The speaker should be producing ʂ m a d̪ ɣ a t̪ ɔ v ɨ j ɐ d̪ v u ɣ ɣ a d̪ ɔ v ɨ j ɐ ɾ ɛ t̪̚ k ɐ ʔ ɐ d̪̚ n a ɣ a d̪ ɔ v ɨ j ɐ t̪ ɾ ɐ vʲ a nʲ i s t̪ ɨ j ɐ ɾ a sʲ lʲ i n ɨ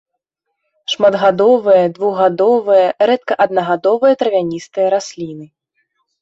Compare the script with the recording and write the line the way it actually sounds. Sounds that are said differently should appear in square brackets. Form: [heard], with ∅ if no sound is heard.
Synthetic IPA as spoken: ʂ m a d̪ ɣ a [d̪] ɔ v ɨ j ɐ d̪ v u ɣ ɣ a d̪ ɔ v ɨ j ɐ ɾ ɛ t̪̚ k ɐ ʔ ɐ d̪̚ n [ɐ] ɣ a d̪ ɔ v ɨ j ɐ t̪ ɾ ɐ vʲ a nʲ i s t̪ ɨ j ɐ ɾ a sʲ lʲ i n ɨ